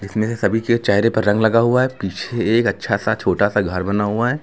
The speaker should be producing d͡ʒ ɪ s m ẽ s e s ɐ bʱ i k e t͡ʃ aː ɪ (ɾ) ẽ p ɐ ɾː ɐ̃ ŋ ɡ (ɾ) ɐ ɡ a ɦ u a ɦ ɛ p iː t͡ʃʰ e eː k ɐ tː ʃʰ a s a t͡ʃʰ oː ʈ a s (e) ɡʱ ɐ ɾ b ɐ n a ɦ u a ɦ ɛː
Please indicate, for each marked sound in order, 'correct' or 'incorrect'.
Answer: correct, incorrect, incorrect

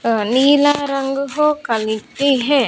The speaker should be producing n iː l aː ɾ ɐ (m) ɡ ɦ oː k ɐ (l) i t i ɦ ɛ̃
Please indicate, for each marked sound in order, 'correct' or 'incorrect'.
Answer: incorrect, correct

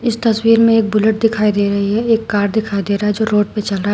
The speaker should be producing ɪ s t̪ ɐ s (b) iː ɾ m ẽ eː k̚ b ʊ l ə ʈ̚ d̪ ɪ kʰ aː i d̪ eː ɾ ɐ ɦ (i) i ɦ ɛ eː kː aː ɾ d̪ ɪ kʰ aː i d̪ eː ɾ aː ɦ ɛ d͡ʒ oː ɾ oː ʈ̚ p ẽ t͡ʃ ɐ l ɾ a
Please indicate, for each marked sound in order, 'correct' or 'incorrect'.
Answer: incorrect, correct

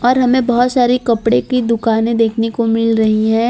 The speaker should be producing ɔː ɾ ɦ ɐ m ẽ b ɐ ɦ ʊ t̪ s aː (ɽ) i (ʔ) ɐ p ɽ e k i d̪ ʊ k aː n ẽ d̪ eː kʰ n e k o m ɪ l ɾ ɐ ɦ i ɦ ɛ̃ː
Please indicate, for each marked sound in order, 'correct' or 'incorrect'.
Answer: incorrect, incorrect

